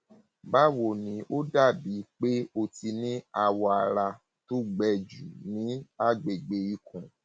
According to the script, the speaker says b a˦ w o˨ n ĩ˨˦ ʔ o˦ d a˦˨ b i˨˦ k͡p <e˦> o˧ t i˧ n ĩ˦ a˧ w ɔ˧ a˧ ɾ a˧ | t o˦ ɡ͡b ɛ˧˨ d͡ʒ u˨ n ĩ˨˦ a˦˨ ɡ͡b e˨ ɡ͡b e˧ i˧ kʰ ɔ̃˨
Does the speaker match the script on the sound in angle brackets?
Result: yes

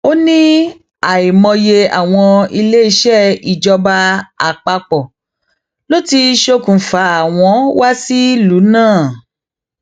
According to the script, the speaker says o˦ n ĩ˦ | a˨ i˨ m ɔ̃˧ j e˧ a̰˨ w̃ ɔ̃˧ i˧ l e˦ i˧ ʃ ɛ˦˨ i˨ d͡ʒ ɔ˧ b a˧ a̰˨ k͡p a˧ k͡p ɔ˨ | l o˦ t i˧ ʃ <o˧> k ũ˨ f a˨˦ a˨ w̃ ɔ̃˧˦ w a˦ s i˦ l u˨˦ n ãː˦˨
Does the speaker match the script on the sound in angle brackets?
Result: yes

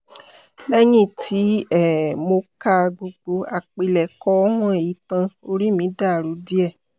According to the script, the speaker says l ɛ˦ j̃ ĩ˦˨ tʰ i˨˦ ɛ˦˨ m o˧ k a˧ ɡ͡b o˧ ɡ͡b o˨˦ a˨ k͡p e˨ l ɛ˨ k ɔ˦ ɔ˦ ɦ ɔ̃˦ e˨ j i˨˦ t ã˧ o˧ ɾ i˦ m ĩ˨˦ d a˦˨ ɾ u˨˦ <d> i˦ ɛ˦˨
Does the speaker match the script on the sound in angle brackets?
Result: yes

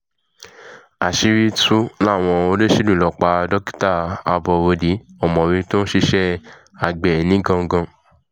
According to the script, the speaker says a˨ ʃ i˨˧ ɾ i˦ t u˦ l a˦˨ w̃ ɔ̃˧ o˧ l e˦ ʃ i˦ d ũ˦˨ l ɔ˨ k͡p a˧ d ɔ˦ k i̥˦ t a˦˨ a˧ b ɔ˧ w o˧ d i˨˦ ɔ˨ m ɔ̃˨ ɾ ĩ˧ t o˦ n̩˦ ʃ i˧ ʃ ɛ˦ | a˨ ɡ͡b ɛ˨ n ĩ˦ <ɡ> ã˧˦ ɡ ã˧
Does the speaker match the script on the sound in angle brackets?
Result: yes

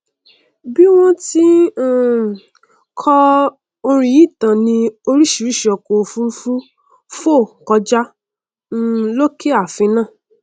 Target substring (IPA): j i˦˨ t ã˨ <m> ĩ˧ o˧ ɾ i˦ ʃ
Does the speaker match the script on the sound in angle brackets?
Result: no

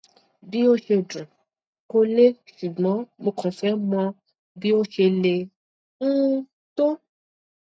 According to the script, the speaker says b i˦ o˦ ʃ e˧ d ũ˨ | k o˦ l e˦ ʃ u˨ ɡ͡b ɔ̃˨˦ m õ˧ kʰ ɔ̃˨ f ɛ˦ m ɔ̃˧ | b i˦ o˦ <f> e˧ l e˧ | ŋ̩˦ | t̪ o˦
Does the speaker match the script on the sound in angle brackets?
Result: no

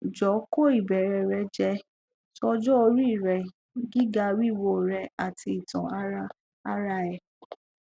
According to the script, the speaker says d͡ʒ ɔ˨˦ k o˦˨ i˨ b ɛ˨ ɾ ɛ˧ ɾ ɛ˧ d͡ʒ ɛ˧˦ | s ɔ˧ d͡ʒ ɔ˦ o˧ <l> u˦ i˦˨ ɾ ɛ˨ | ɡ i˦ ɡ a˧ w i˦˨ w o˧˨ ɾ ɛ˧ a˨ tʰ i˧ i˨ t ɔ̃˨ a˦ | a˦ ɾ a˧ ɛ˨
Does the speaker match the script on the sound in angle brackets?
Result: no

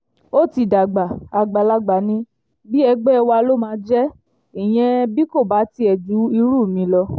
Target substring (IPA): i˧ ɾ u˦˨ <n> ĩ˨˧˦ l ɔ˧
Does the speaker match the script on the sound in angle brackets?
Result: no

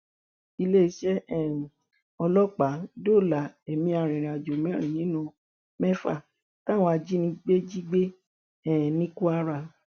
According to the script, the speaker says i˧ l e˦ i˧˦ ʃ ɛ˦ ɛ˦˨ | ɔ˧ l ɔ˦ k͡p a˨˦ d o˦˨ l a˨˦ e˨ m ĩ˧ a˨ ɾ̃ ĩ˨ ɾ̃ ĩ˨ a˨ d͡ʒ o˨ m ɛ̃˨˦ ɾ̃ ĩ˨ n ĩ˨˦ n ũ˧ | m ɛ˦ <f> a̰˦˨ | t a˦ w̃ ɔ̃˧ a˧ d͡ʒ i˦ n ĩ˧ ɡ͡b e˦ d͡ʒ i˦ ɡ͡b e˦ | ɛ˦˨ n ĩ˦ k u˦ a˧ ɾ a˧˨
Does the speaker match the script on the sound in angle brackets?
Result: yes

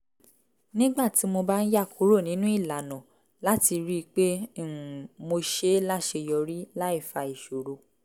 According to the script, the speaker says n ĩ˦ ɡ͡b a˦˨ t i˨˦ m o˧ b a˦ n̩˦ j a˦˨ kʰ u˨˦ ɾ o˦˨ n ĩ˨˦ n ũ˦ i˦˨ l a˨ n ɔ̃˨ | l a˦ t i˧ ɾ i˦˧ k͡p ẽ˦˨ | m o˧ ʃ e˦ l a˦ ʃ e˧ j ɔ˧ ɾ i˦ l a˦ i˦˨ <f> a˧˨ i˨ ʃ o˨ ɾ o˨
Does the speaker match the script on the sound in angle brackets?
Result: yes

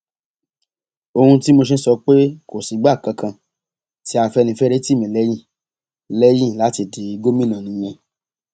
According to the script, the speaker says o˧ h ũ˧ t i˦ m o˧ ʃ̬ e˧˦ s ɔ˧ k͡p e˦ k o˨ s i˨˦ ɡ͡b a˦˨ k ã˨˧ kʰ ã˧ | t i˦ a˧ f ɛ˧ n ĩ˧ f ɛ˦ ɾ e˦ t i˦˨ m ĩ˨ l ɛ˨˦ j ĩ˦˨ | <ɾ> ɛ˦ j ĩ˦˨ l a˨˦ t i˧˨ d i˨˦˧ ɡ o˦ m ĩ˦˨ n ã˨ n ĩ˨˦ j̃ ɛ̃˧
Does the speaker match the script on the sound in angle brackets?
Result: no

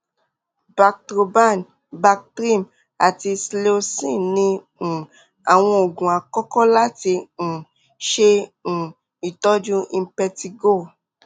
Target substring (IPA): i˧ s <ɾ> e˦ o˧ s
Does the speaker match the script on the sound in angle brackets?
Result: no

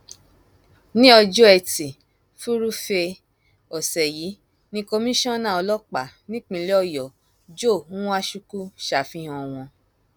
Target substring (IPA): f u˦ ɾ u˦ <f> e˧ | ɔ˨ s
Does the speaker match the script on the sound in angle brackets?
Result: yes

